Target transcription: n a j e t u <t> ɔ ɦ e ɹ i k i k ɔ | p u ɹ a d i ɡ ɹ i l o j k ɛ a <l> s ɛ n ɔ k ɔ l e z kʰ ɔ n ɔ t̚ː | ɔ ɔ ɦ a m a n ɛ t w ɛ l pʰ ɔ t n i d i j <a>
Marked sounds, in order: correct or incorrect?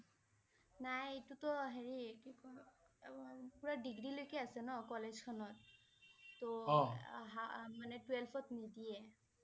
correct, incorrect, incorrect

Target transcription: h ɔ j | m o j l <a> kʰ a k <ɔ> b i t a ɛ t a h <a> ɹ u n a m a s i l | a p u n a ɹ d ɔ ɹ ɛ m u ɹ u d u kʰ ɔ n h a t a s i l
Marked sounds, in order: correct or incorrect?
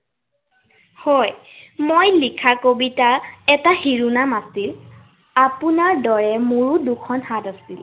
incorrect, incorrect, incorrect

